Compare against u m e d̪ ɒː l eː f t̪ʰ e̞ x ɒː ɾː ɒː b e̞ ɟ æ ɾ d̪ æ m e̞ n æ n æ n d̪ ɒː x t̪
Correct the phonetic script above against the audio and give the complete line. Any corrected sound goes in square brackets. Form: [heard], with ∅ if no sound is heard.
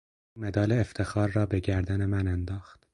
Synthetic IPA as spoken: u m e d̪ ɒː l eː f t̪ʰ e̞ x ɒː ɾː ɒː b e̞ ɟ æ ɾ d̪ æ [n] e̞ [m] æ n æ n d̪ ɒː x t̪

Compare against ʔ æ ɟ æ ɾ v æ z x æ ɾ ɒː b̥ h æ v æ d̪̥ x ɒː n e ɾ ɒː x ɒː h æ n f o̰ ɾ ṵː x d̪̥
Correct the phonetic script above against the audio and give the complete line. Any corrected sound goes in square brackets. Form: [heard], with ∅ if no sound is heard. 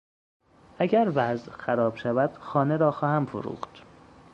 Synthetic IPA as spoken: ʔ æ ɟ æ ɾ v æ z x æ ɾ ɒː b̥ [ʃ] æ v æ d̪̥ x ɒː n e ɾ ɒː x ɒː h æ [m] f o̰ ɾ ṵː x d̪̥

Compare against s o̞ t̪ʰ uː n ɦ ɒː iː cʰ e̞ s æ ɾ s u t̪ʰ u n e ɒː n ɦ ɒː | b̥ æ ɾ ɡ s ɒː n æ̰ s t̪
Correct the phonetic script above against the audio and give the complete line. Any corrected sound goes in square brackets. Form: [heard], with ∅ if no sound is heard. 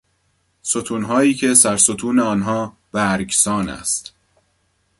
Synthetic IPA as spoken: s o̞ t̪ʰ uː n ɦ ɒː iː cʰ e̞ s æ ɾ s [o] t̪ʰ [uː] n e ɒː n ɦ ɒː | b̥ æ ɾ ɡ s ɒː n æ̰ s t̪

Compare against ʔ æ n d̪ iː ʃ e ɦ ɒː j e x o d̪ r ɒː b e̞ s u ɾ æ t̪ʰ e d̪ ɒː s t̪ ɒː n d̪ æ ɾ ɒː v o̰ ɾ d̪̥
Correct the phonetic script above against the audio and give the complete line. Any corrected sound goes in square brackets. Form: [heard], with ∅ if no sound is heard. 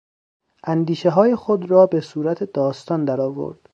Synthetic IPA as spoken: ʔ æ n d̪ iː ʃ e ɦ ɒː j e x o d̪ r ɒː b e̞ s [uː] ɾ æ t̪ʰ e d̪ ɒː s t̪ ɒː n d̪ æ ɾ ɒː v o̰ ɾ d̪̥

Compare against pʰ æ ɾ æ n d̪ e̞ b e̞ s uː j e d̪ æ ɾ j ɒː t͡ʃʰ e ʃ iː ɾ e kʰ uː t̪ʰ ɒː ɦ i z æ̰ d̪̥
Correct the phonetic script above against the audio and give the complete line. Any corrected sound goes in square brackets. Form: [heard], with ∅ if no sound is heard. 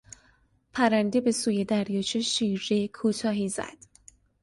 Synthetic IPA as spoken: pʰ æ ɾ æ n d̪ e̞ b e̞ s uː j e d̪ æ ɾ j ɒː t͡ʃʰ e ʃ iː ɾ e kʰ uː t̪ʰ ɒː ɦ i z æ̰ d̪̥

